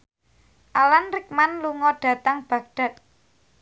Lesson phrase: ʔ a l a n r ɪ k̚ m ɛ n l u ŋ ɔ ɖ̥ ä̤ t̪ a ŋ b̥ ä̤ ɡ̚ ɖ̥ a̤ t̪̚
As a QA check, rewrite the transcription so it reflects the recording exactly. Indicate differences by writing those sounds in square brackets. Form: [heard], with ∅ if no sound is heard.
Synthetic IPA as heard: ʔ a l a n r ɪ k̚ m [a] n l u ŋ ɔ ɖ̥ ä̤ t̪ a ŋ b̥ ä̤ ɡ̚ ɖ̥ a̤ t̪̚